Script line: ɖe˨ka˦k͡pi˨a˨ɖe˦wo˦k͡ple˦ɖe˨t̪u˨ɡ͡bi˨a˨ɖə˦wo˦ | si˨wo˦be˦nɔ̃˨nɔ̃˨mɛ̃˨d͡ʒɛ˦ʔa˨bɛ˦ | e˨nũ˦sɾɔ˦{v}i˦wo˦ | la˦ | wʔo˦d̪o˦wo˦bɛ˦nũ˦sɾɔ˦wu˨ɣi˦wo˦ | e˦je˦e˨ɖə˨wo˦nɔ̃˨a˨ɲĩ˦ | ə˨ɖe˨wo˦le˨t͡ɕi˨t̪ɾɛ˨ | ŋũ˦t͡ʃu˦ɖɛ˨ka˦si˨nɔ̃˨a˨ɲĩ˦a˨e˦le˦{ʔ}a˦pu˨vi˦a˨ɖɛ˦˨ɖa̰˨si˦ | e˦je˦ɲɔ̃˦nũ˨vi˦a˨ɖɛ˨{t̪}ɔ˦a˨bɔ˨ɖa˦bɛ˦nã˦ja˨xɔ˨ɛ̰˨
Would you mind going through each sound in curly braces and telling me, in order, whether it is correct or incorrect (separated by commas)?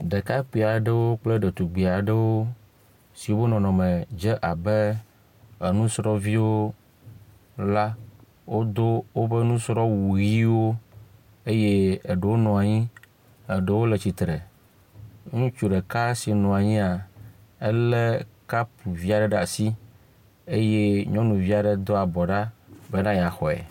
correct, incorrect, incorrect